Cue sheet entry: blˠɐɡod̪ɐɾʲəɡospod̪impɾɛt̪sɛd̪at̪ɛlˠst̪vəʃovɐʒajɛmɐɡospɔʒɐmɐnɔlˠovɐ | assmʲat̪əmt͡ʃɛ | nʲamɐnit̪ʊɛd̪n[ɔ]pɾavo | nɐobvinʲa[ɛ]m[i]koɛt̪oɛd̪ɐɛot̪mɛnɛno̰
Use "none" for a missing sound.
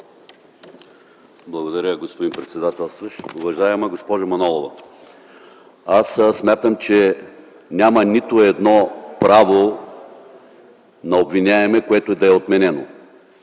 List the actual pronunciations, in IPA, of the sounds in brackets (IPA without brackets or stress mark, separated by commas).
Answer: ɔ, ɛ, ɛ